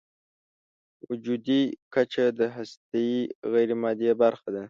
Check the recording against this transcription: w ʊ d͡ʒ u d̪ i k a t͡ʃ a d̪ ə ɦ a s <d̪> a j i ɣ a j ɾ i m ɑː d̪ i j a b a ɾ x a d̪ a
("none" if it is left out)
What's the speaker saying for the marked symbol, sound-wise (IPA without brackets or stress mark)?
t̪